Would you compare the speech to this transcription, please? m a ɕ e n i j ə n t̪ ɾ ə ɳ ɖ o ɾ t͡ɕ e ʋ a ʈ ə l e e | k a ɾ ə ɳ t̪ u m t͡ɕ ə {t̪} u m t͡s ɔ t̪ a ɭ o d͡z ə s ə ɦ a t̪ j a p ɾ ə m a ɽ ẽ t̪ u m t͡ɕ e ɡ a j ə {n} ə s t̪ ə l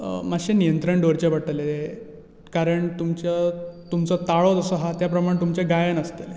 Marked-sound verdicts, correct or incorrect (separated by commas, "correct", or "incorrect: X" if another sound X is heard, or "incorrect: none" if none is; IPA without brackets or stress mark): correct, correct